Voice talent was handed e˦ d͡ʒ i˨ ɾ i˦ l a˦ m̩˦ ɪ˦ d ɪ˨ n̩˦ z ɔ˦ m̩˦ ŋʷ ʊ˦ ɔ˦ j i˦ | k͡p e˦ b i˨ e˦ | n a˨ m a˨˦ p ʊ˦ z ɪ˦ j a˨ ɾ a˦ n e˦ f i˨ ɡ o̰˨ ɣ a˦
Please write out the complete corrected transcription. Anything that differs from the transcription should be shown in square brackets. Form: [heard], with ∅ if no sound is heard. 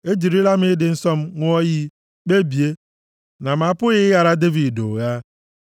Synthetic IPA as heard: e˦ d͡ʒ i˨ ɾ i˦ l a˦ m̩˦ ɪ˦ d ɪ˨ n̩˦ [s] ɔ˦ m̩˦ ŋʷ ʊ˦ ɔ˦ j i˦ | k͡p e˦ b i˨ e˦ | n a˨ m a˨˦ p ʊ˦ [ɣ] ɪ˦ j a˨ ɾ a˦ [d] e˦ [v] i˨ [d] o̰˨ ɣ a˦